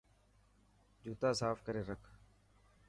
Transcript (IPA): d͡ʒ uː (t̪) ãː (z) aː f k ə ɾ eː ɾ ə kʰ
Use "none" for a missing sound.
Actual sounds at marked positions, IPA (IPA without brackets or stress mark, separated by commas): t̪, s